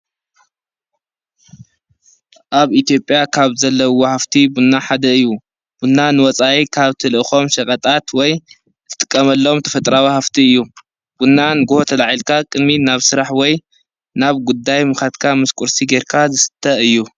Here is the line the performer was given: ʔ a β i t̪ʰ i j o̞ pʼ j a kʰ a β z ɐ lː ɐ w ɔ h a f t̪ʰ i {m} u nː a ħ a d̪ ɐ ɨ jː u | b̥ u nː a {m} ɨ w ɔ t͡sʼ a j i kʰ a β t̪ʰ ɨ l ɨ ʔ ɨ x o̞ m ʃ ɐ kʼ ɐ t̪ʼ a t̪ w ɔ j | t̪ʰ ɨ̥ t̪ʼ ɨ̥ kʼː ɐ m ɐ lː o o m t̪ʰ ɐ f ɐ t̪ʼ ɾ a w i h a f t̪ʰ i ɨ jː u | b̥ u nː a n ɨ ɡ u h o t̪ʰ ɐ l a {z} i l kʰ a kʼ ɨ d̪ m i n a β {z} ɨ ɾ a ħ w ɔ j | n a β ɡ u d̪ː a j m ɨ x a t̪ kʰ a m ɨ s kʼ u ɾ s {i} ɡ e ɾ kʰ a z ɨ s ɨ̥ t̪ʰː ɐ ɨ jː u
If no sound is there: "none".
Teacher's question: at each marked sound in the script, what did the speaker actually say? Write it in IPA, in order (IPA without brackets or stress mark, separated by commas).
b, n, ʕ, s, i